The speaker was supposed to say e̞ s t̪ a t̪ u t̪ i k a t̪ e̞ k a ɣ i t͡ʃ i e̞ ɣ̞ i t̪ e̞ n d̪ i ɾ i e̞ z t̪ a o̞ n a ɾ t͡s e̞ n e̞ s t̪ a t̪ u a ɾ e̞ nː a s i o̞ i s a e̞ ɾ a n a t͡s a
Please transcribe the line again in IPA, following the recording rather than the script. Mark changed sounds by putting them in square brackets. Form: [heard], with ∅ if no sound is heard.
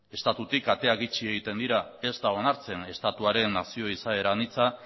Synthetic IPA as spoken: e̞ s t̪ a t̪ u t̪ i k a t̪ e̞ [∅] a ɣ i t͡ʃ i e̞ ɣ̞ i t̪ e̞ n d̪ i ɾ [a] e̞ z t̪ a o̞ n a ɾ t͡s e̞ n e̞ s t̪ a t̪ u a ɾ e̞ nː a s i o̞ i s a e̞ ɾ a n [i] t͡s a